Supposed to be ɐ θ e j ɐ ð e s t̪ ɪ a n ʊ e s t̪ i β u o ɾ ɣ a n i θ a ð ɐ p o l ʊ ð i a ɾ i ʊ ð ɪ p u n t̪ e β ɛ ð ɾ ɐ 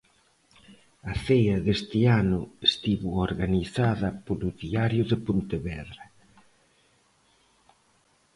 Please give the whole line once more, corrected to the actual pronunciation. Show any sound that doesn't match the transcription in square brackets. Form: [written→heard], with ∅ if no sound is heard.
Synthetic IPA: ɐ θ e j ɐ ð e s t̪ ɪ a n ʊ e s t̪ i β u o ɾ ɣ a n i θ a ð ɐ p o l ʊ ð i a ɾ [i→j] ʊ ð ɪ p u n t̪ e β ɛ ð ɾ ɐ